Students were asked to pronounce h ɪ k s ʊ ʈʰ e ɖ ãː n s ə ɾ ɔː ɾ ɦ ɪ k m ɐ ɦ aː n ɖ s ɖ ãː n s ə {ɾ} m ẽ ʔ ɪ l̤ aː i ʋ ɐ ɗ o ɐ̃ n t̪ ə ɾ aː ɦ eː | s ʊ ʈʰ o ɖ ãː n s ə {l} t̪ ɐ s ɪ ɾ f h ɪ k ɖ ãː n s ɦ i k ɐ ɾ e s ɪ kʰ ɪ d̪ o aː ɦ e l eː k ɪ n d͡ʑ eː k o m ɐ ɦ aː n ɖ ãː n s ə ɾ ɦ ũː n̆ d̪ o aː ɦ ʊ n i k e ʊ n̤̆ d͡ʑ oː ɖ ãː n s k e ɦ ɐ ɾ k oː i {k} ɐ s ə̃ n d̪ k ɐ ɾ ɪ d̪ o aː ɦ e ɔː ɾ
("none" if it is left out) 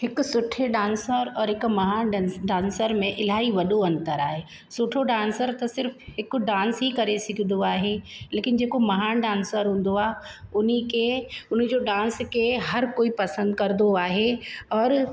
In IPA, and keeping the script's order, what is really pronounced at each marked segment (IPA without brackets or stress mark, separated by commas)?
ɾ, ɾ, p